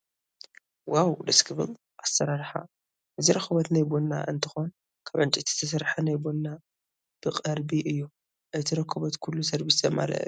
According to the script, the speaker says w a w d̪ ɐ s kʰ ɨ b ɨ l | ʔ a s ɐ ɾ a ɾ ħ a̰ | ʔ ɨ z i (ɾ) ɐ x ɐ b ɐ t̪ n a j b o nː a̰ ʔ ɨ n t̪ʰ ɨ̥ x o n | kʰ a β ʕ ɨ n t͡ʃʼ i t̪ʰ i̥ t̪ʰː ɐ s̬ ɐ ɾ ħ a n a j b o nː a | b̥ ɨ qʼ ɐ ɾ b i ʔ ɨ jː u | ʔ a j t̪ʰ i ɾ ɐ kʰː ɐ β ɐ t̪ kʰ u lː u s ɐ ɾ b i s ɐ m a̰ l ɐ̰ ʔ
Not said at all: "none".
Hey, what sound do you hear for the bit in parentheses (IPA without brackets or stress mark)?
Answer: ɾ